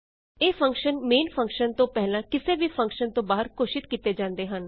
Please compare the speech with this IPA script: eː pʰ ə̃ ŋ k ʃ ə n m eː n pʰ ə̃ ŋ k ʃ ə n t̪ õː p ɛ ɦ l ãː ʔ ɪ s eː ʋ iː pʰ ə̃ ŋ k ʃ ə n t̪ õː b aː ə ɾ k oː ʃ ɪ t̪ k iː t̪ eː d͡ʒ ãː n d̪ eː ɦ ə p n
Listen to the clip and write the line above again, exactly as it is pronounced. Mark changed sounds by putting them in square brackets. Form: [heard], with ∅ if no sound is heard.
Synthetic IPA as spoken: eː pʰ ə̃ ŋ k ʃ ə n m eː n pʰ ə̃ ŋ k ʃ ə n t̪ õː p ɛ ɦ l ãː [k] ɪ s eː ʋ iː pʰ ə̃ ŋ k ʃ ə n t̪ õː b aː ə ɾ k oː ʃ ɪ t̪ k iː t̪ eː d͡ʒ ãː n d̪ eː ɦ ə [∅] n

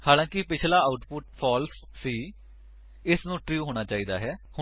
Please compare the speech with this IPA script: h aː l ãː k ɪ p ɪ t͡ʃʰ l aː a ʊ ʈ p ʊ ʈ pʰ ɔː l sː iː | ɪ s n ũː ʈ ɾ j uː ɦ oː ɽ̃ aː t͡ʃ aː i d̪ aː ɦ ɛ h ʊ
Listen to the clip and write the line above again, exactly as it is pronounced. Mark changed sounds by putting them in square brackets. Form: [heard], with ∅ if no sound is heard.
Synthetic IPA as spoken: h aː l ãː k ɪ p ɪ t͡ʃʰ l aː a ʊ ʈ p ʊ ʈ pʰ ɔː l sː iː | ɪ s n ũː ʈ ɾ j uː ɦ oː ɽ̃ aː t͡ʃ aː [iː] d̪ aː ɦ [ɛː] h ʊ

